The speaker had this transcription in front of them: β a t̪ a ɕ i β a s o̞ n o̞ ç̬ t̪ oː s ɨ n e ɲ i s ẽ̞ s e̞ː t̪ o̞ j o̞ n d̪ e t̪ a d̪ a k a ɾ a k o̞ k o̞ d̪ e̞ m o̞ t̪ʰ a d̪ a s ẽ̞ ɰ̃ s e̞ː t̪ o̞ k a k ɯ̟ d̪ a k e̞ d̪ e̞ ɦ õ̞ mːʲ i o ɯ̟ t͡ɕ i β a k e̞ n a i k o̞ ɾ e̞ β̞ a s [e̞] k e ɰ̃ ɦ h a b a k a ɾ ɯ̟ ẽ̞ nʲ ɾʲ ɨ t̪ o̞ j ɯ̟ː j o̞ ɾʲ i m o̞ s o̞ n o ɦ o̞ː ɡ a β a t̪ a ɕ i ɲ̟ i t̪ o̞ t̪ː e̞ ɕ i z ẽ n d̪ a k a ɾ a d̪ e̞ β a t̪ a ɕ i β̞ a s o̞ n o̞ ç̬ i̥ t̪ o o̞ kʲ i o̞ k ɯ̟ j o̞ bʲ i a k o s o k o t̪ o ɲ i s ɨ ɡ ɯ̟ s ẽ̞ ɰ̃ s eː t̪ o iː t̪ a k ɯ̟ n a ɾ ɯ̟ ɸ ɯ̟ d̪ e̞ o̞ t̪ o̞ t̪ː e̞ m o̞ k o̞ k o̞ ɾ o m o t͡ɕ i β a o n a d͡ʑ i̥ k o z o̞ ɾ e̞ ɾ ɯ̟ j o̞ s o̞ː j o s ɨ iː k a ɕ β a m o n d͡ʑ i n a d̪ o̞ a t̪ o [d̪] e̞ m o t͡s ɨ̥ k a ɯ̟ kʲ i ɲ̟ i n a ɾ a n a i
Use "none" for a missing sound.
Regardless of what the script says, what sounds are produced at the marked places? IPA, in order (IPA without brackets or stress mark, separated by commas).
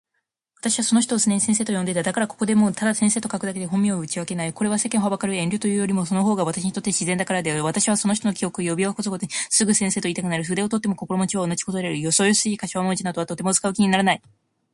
e̞, t̪